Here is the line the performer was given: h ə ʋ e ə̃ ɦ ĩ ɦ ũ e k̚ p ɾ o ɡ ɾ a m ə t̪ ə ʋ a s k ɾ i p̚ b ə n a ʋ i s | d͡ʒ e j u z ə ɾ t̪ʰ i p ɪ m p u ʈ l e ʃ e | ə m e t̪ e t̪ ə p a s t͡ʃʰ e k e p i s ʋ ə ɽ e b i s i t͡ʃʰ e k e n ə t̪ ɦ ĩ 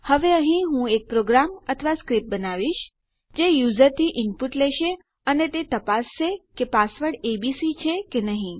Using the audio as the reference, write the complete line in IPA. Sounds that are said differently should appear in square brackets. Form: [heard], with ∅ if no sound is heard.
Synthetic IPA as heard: h ə ʋ e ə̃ ɦ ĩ ɦ ũ e k̚ p ɾ o ɡ ɾ a m ə [t̪ʰ] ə ʋ a s k ɾ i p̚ b ə n a ʋ i [ʃ] | d͡ʒ e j u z ə ɾ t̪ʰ i [ʔ] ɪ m p u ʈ l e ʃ e | ə [n] e t̪ e t̪ ə p a s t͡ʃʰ e k e p [a] s ʋ ə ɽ e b i s i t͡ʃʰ e k e n ə [∅] ɦ ĩ

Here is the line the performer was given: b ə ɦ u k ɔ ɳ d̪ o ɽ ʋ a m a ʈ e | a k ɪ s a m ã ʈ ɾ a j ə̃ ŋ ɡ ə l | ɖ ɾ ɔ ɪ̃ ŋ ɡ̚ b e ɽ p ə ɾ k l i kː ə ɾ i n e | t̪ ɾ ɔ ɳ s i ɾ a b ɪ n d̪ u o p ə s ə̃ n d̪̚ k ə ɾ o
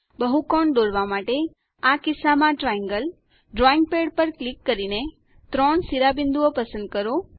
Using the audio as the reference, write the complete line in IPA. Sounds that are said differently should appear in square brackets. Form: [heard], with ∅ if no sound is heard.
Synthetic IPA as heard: b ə ɦ u k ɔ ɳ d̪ o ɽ ʋ a m a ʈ e | a k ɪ s a m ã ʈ ɾ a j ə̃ ŋ ɡ ə l | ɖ ɾ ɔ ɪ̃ ŋ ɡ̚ [p] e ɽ p ə ɾ k l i kː ə ɾ i n e | t̪ ɾ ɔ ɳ s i ɾ a b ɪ n d̪ u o p ə s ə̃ n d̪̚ k ə ɾ o

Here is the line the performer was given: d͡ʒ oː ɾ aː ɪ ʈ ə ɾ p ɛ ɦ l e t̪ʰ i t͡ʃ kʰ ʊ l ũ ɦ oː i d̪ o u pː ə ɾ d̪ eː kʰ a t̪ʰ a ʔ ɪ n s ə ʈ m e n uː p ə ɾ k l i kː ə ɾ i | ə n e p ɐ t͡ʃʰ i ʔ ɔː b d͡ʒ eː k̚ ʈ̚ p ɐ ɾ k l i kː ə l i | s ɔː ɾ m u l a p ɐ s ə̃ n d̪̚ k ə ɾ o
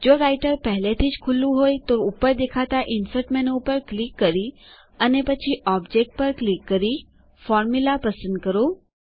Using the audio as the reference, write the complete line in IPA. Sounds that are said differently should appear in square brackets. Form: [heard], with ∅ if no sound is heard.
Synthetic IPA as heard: d͡ʒ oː ɾ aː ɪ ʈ ə ɾ p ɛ ɦ l e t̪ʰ i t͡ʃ kʰ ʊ l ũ ɦ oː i [t̪] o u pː ə ɾ d̪ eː kʰ a [t̪] a ʔ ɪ n s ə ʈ m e n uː p ə ɾ k l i kː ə ɾ i | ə n e p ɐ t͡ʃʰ i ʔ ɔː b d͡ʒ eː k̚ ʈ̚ p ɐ ɾ k l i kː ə [ɾ] i | [f] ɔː ɾ m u l a p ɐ s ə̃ n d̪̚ k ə ɾ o

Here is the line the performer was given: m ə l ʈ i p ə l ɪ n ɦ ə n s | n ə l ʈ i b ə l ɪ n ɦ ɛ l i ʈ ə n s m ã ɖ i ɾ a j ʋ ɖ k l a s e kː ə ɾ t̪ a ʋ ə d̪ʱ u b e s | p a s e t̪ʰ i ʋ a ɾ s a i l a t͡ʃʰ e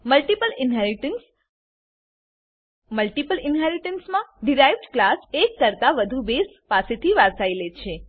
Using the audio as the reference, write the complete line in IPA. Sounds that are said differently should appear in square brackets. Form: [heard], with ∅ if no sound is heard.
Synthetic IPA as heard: m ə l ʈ i p ə l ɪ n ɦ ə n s | [m] ə l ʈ i [p] ə l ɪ n ɦ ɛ [ɾ] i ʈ ə n s m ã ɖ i ɾ a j ʋ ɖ k l a s e kː ə ɾ t̪ a ʋ ə d̪ʱ u b e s | p a s e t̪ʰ i ʋ a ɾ s a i l [e] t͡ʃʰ e

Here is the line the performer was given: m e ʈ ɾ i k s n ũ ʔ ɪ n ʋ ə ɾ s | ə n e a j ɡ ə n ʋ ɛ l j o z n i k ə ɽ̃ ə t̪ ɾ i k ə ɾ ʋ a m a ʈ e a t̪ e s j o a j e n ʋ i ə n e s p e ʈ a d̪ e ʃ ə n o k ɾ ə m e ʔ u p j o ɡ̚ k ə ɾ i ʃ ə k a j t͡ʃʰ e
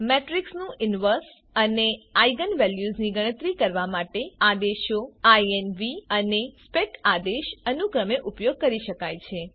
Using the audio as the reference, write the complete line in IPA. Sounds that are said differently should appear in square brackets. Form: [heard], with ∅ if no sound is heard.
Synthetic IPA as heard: m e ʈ ɾ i k s n ũ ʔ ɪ n ʋ ə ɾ s | ə n e a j ɡ ə n ʋ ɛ l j [u] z n i [ɡ] ə ɽ̃ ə t̪ ɾ i k ə ɾ ʋ a m a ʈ e a [d̪] e [ʃ] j o a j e n ʋ i ə n e s p e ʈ a d̪ e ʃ ə n [u] k ɾ ə m e ʔ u p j o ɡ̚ k ə ɾ i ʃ ə k a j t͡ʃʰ e

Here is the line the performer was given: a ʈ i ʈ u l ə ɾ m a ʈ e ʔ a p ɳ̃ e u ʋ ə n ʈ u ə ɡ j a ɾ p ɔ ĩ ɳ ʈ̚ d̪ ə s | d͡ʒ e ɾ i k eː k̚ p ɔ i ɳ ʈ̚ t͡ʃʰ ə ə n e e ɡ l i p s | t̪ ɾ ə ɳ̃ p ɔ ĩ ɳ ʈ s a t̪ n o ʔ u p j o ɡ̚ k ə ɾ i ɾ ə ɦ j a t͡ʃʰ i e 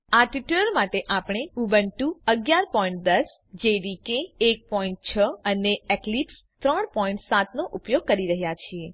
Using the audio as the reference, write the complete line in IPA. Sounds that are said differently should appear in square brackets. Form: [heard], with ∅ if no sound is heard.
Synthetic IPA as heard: a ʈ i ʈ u l ə ɾ m a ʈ e ʔ a p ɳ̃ e u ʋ ə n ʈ u ə ɡ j a ɾ p ɔ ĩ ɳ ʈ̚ d̪ ə s | d͡ʒ e ɾ i k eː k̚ p ɔ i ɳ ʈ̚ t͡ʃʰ ə ə n e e [k] l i p s | t̪ ɾ ə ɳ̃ p ɔ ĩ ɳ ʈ s a t̪ n o ʔ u p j o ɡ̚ k ə ɾ i ɾ ə ɦ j a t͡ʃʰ i e

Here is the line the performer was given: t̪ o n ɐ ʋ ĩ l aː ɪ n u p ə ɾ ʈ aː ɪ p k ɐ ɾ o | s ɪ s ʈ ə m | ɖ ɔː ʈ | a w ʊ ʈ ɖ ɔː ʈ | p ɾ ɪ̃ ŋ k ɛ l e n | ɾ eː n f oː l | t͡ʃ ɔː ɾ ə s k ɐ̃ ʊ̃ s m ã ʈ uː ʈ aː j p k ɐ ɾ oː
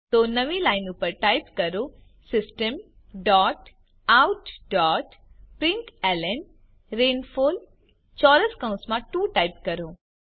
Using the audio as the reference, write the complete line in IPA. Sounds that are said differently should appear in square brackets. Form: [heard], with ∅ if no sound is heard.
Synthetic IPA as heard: t̪ o n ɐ ʋ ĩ l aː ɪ n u p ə ɾ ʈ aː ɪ p k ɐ ɾ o | s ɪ s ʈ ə m | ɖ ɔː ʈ | a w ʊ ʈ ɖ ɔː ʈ | p ɾ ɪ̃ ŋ k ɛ l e n | ɾ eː n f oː l | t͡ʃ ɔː ɾ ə s k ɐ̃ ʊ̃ s m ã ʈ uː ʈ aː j p k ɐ ɾ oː

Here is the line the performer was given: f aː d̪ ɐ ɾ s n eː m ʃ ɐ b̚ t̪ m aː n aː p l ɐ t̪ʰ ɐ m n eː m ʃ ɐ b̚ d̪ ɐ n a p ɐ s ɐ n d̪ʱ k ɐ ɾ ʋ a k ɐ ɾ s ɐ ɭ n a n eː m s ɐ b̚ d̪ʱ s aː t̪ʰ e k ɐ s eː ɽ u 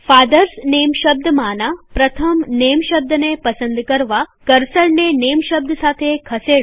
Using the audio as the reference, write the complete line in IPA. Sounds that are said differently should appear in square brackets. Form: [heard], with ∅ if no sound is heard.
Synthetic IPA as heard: f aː d̪ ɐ ɾ s n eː m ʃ ɐ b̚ [d̪] m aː n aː p [ɾ] ɐ t̪ʰ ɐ m n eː m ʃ ɐ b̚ d̪ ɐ n [e] p ɐ s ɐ n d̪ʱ k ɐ ɾ ʋ a k ɐ ɾ s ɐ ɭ n [e] n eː m [ʃ] ɐ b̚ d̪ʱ s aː t̪ʰ e [kʰ] ɐ s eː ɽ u

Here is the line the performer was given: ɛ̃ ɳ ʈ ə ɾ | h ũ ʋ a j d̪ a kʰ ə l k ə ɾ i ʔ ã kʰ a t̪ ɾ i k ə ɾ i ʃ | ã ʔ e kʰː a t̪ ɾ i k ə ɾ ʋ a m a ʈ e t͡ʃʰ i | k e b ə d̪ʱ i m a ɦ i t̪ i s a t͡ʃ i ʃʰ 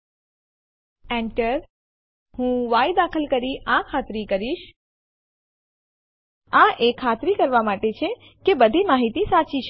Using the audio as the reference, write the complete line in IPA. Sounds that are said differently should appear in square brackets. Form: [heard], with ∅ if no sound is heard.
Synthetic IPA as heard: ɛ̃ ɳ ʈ ə ɾ | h ũ ʋ a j d̪ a kʰ ə l k ə ɾ i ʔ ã kʰ a t̪ ɾ i k ə ɾ i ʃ | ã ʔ e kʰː a t̪ ɾ i k ə ɾ ʋ a m a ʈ e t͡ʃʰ [e] | k e b ə d̪ʱ i m a ɦ i t̪ i s a t͡ʃ i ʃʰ

